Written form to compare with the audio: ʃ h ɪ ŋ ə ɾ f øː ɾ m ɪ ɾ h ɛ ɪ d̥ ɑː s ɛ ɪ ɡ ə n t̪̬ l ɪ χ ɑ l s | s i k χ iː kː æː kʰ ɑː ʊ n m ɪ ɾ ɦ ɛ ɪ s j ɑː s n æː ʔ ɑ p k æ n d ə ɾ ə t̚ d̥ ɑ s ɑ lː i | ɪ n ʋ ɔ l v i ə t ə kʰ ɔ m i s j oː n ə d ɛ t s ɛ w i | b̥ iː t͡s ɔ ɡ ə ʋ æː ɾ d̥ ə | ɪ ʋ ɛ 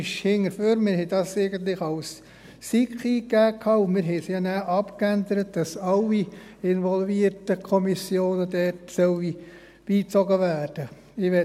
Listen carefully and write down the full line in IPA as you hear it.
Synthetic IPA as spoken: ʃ h ɪ ŋ ə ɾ f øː ɾ m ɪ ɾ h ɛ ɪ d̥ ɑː s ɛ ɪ ɡ ə n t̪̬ l ɪ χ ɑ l s | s i k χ iː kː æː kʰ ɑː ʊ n m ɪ ɾ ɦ ɛ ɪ s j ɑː n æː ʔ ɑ p k æ n d ə ɾ ə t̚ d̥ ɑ s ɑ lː i | ɪ n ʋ ɔ l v i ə t ə kʰ ɔ m i s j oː n ə d ɛ t s œ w i | b̥ iː t͡s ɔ ɡ ə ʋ æː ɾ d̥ ə | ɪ ʋ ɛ